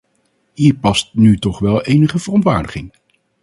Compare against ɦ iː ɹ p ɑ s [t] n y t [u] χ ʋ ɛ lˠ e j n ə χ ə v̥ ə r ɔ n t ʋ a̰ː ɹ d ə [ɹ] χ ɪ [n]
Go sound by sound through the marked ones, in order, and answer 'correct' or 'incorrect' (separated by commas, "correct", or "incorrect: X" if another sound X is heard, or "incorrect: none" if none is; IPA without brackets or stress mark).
correct, incorrect: ɔ, incorrect: none, incorrect: ŋ